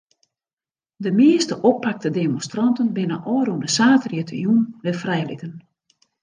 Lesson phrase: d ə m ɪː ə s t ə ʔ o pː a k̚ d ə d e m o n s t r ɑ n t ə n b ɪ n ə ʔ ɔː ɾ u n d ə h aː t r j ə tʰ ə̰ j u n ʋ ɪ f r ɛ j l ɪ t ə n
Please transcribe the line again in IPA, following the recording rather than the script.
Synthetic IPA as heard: d ə m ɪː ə s t ə ʔ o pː a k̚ t ə d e m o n s t r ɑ n t ə n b ɪ n ə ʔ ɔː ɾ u n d ə s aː t r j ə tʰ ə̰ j u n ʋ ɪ f r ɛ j l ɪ t ə n